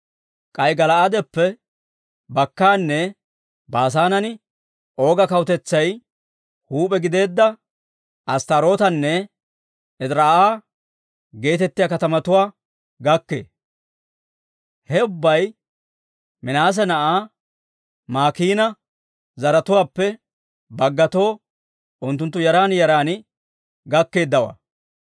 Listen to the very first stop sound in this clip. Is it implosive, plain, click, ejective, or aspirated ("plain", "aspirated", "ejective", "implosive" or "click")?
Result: ejective